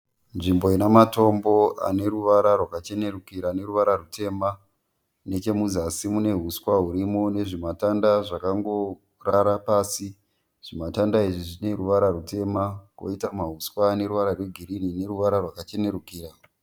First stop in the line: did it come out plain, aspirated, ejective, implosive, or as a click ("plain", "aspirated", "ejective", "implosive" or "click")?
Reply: plain